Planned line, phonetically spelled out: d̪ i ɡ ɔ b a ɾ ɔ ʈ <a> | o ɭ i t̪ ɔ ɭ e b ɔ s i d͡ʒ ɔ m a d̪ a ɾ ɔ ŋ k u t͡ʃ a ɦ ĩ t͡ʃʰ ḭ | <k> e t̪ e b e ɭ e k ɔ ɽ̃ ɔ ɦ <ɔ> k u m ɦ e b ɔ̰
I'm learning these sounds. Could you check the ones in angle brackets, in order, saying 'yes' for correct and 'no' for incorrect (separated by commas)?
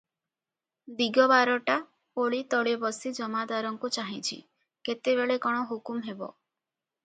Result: yes, yes, no